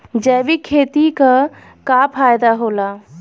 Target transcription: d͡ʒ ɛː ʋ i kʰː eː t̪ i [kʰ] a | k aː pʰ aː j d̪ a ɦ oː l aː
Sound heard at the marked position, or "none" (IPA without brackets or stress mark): k